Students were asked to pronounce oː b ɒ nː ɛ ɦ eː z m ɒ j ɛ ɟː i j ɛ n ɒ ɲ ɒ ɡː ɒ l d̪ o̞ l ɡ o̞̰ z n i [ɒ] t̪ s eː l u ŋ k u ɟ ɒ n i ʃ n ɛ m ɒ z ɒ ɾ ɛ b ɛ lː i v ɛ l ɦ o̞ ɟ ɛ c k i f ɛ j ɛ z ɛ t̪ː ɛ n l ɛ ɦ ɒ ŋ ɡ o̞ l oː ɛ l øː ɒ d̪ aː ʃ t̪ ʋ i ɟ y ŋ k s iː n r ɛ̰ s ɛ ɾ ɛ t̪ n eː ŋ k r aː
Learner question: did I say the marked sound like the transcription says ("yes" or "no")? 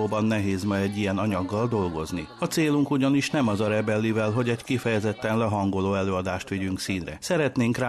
yes